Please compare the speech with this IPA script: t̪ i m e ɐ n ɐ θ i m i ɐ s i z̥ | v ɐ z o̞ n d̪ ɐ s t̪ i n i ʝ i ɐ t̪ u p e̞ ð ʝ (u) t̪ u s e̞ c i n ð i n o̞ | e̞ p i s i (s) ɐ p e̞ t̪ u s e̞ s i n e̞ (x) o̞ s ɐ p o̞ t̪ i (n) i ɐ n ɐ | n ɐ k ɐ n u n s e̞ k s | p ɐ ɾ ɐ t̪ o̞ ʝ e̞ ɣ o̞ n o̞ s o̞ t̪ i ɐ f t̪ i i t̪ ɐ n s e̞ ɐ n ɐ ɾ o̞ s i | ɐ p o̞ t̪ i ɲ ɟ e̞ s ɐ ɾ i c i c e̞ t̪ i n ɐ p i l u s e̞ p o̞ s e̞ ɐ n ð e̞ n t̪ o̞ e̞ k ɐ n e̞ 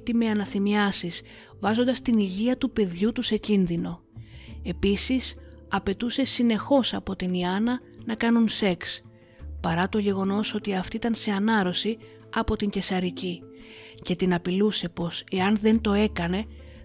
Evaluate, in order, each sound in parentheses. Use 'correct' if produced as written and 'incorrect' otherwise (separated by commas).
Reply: correct, correct, correct, correct